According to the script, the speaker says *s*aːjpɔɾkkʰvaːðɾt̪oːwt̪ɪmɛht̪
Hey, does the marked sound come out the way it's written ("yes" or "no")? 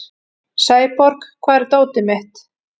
yes